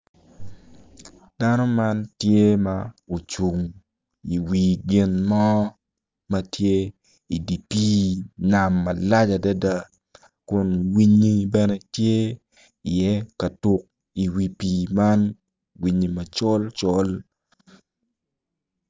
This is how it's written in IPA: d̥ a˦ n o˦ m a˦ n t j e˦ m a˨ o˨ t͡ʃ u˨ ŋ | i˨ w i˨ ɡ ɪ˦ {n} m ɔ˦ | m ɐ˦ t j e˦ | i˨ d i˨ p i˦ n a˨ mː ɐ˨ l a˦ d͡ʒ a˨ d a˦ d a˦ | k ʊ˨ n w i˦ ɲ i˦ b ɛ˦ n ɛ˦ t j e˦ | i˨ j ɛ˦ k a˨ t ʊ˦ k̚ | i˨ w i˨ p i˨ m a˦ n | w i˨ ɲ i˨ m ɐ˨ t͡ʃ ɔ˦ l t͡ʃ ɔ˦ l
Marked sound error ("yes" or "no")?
no